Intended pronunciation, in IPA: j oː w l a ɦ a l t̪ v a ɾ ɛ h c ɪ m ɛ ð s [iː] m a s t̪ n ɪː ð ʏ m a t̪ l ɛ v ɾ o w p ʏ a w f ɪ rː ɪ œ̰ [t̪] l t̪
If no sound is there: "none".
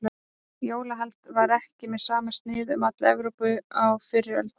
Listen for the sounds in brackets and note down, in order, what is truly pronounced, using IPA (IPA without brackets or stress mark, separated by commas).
aː, none